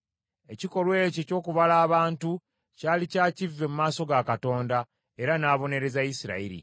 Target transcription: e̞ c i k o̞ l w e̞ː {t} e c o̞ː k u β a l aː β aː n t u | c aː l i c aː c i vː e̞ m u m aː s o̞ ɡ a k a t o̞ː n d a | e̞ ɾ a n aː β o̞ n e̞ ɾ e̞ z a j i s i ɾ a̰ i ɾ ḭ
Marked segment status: incorrect: c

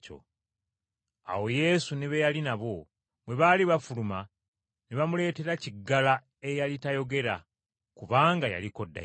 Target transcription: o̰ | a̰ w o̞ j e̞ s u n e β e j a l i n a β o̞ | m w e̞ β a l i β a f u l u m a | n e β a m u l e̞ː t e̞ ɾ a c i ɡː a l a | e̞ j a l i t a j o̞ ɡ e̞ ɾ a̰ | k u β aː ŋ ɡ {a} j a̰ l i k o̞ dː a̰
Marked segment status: correct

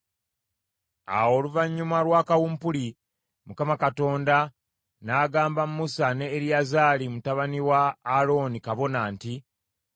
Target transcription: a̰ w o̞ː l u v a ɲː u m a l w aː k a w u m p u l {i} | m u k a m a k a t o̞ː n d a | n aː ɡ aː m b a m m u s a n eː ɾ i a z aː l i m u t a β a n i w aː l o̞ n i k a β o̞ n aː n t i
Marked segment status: correct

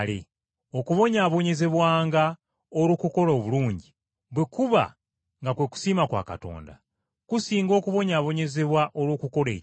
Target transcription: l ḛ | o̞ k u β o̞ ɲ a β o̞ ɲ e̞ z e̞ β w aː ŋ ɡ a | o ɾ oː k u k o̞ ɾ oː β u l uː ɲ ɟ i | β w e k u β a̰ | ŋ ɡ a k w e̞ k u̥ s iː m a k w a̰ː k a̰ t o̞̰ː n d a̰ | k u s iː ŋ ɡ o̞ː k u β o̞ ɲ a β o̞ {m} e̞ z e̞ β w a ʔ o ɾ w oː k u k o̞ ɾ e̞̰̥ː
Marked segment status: incorrect: ɲ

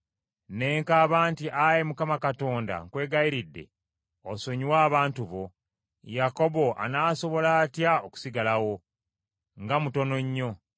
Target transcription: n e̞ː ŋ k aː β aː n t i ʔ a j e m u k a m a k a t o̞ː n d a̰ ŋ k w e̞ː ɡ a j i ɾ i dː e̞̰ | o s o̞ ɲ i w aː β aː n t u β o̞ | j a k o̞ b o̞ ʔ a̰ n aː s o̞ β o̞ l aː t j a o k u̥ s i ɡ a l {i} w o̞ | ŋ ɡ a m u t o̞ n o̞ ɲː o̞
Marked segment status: incorrect: a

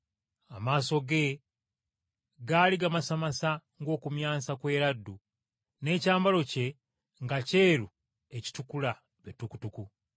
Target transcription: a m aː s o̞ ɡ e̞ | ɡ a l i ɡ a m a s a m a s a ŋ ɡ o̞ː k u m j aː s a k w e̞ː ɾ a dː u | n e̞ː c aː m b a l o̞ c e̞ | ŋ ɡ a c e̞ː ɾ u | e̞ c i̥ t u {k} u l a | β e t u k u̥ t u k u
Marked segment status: correct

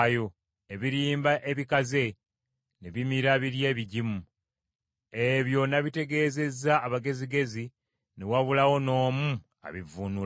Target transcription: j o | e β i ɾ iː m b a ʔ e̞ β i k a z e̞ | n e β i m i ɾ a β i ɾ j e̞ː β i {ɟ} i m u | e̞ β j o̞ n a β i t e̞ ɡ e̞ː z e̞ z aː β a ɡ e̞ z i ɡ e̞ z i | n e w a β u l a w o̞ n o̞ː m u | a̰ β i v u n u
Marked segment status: correct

